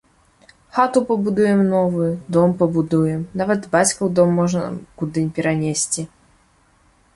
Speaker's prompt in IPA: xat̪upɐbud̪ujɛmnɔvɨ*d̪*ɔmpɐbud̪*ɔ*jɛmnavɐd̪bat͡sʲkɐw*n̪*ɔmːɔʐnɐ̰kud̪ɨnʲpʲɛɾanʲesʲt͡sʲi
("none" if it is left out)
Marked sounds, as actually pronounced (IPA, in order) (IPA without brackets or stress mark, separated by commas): d̪, u, d̪